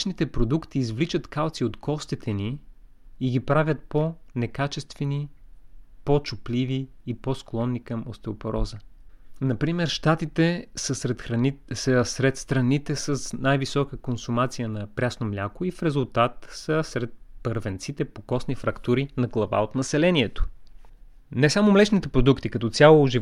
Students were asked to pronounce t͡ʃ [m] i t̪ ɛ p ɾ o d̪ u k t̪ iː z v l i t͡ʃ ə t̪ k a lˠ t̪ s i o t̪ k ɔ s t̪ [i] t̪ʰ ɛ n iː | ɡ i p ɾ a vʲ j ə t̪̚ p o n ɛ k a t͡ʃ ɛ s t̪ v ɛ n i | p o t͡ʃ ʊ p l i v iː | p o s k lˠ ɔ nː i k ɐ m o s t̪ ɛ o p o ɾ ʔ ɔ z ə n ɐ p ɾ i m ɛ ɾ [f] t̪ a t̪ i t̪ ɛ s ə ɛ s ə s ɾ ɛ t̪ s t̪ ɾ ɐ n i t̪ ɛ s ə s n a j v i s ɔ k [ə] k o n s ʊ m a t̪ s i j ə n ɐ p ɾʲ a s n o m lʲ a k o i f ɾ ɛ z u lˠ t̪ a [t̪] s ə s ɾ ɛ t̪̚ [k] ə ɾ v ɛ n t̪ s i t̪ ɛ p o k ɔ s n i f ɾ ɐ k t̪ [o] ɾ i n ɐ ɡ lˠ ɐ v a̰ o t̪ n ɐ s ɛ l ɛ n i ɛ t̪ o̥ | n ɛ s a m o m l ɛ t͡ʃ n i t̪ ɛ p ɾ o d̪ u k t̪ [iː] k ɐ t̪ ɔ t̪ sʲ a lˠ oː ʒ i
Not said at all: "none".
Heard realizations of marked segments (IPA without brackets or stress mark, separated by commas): n, i, ʃ, ə, t̪, p, u, i